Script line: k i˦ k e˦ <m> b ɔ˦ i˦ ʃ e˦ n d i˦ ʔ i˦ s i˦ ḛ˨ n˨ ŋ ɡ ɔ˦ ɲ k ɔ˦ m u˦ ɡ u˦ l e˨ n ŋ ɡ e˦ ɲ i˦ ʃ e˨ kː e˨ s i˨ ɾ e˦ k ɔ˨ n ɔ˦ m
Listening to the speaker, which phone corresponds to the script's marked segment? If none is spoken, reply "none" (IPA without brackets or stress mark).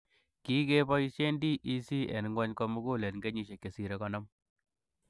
none